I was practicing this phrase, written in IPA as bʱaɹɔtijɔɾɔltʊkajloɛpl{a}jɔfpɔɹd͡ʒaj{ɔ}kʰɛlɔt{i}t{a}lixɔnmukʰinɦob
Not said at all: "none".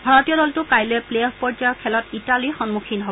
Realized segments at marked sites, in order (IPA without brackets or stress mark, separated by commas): e, ɔ, i, a